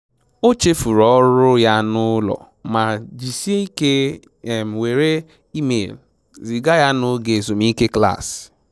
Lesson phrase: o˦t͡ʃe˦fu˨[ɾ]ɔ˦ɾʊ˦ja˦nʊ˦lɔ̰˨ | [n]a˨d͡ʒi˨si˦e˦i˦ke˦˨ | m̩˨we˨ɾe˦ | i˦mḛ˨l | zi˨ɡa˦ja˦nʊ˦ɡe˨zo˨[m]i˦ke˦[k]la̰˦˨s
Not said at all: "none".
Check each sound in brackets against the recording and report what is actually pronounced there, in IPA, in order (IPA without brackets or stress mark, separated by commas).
ɾ, m, m, k